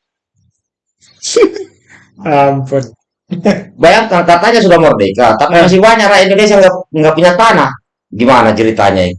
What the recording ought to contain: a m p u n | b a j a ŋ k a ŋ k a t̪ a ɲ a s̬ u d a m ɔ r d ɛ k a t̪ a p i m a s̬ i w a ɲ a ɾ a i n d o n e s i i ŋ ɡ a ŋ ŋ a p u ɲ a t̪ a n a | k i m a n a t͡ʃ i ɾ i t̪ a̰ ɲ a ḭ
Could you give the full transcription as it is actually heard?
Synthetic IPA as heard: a m p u n | b a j a ŋ k a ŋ k a t̪ a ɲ a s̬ u d a m ɔ r d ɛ k a t̪ a p i m a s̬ i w a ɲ a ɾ a i n d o n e s i a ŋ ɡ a ŋ ɡ a p u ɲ a t̪ a n a | ɡ i m a n a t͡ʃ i ɾ i t̪ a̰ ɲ a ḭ